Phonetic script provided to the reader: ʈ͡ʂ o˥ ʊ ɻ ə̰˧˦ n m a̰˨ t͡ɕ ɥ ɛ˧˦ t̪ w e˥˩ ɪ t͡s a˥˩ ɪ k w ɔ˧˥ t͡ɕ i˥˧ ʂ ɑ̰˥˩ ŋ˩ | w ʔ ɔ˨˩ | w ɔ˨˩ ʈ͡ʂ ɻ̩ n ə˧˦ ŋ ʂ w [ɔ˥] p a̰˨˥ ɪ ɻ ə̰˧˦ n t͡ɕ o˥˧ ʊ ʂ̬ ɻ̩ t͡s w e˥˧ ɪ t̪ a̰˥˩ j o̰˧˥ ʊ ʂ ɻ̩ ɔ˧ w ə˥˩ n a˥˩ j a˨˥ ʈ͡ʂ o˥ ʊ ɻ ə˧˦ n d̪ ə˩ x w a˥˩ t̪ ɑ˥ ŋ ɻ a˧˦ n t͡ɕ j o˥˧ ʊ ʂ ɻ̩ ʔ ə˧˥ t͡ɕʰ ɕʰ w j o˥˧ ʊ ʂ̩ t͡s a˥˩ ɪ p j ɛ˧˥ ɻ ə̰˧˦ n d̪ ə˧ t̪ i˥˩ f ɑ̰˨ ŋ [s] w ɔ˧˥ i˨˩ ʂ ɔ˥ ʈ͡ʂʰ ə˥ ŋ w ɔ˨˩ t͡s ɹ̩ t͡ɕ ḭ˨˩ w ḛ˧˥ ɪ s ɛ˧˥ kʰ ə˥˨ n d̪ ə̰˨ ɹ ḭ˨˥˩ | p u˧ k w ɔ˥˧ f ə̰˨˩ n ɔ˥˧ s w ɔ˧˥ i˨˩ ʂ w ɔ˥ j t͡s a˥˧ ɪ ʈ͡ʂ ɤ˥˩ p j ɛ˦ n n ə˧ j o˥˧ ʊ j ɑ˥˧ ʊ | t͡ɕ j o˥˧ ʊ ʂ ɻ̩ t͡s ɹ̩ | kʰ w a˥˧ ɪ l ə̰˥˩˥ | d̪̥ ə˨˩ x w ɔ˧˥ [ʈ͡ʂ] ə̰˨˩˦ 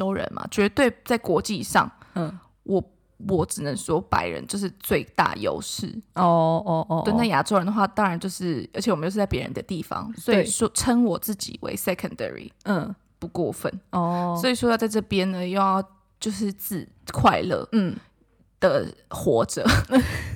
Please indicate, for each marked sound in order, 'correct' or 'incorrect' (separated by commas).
correct, correct, correct